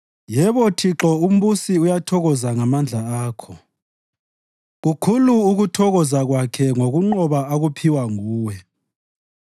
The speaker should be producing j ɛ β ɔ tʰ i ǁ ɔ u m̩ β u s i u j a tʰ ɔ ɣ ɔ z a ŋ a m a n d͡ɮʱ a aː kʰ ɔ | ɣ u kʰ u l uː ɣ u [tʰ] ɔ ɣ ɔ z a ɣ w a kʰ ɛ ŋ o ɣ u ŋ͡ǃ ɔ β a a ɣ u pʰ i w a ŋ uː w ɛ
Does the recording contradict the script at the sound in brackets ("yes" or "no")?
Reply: no